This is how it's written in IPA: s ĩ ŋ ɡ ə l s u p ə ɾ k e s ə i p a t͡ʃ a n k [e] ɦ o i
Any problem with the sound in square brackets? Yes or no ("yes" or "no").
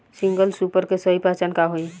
yes